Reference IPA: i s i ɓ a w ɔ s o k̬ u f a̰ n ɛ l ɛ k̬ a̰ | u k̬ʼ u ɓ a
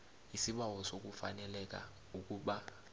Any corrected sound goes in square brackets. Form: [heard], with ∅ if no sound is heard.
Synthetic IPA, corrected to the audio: i s i ɓ a w ɔ s o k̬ u f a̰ n ɛ l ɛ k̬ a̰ | u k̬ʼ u ɓ a